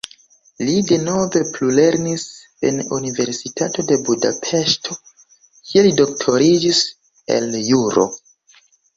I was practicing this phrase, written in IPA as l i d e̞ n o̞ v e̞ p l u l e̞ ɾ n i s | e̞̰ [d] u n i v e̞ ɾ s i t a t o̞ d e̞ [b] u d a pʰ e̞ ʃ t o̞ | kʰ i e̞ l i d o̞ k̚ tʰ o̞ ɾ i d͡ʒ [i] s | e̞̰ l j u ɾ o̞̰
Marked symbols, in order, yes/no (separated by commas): no, yes, yes